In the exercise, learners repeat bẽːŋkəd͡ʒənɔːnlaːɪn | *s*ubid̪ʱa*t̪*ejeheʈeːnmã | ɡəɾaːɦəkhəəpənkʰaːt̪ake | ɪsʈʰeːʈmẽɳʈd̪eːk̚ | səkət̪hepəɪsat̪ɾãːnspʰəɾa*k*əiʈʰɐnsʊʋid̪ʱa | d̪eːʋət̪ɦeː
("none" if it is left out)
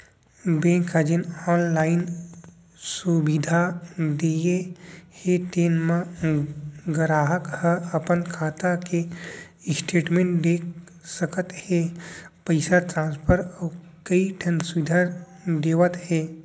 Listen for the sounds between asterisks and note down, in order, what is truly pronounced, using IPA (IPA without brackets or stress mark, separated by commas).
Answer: s, d̪, k